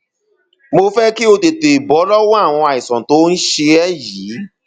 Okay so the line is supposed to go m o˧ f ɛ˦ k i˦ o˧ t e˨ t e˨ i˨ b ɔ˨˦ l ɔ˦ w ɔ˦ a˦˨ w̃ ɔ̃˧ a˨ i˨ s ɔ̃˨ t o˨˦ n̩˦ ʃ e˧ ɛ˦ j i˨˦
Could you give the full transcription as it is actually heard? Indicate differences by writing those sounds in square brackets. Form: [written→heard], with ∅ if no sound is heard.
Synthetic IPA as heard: m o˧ f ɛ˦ k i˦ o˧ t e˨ t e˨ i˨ b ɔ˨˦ l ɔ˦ w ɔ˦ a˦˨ w̃ ɔ̃˧ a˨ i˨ s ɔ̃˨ t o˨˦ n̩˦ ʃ e˧ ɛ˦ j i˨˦